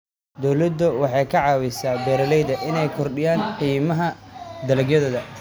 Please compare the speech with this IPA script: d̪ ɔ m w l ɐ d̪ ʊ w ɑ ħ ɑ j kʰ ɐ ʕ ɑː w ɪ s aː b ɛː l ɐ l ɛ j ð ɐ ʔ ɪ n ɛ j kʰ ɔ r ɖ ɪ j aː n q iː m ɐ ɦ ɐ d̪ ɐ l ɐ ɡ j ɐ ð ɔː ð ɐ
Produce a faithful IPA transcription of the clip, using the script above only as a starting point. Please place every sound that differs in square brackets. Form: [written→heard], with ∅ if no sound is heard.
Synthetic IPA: d̪ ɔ [m→∅] w l ɐ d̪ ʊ w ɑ ħ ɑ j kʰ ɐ ʕ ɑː w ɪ s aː b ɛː [l→ɾ] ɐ l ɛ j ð ɐ ʔ ɪ n ɛ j kʰ ɔ r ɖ ɪ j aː n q iː m ɐ ɦ ɐ d̪ ɐ l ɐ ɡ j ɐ ð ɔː ð ɐ